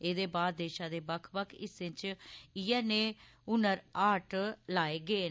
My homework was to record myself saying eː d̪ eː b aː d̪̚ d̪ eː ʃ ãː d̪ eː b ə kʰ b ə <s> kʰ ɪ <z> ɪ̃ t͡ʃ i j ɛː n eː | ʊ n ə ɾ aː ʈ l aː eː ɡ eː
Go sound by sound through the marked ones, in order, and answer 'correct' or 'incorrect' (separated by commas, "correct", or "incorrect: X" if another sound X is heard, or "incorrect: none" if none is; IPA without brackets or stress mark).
incorrect: none, incorrect: s